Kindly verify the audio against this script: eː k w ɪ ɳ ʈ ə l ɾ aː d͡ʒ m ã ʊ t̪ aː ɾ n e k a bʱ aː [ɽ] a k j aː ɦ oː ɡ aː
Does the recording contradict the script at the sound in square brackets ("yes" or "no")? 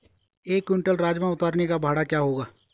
no